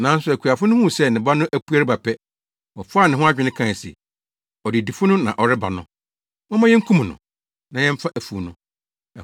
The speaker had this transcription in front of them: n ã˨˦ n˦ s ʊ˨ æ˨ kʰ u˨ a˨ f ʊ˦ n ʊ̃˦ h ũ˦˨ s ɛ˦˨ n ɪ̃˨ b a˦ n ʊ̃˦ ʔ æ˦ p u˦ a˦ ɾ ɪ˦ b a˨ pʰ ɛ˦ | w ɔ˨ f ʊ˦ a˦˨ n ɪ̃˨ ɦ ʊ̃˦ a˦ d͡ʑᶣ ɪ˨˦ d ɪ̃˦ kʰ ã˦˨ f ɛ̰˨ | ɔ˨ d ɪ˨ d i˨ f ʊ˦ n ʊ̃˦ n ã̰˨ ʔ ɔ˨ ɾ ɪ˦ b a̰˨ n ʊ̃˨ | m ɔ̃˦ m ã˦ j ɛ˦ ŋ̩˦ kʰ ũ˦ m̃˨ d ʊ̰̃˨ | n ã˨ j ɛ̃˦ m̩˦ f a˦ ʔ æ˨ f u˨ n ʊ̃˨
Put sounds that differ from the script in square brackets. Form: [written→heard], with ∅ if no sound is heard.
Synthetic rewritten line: n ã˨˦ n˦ s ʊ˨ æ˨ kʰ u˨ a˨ f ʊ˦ n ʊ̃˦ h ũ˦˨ s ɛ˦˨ n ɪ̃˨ b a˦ n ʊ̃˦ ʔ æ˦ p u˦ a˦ ɾ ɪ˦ b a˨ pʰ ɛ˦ | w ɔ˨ f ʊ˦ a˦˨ n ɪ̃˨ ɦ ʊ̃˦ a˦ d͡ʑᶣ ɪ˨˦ [d→n] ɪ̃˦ kʰ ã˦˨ [f→s] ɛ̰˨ | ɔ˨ d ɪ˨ d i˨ f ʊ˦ n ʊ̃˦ n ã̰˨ ʔ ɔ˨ ɾ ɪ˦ b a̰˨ n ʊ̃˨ | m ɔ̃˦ m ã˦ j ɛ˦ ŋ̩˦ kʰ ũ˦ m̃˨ [d→n] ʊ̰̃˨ | n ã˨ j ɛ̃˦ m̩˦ f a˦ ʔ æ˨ f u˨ n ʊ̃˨